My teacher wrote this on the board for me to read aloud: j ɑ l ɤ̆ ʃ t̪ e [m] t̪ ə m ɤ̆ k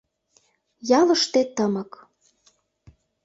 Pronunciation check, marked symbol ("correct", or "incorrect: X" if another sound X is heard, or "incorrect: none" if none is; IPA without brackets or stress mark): incorrect: none